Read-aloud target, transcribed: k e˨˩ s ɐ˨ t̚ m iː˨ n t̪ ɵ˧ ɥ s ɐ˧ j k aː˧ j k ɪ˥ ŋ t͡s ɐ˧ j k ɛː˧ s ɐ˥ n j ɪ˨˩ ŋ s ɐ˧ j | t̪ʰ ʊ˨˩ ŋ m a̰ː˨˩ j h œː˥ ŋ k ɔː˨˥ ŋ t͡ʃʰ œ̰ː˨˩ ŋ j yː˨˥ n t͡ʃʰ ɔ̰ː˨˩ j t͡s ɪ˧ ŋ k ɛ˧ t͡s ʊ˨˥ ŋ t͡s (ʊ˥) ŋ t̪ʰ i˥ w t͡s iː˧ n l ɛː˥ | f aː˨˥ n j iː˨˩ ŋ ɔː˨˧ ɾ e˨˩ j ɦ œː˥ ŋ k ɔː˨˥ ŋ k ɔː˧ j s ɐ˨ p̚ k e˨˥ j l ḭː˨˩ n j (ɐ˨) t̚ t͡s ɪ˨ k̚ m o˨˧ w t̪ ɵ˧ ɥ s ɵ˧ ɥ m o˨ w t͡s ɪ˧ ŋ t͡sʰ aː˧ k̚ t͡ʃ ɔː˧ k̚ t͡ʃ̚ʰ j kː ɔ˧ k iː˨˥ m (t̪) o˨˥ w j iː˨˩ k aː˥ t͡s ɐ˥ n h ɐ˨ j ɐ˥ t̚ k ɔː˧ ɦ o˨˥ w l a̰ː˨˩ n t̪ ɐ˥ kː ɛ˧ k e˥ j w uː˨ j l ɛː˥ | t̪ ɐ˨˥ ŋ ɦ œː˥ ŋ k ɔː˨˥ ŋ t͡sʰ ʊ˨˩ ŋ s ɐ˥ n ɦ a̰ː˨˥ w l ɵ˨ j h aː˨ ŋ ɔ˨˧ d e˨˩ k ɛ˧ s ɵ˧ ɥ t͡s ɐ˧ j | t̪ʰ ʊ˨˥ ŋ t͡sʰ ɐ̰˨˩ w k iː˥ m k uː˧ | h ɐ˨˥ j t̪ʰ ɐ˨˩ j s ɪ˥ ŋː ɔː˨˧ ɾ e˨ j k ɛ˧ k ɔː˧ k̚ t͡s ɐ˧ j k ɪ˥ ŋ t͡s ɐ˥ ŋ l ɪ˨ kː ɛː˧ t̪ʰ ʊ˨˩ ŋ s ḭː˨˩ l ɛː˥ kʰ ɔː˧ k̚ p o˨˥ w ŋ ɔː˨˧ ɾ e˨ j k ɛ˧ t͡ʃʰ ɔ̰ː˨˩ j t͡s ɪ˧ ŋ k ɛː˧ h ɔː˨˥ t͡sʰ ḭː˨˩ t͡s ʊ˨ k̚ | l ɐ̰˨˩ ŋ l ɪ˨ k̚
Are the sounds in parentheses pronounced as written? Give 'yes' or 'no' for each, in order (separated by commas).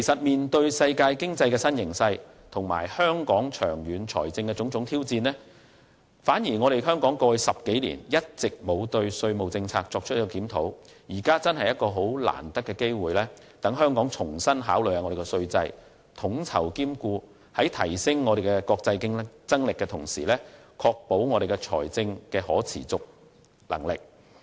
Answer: no, no, no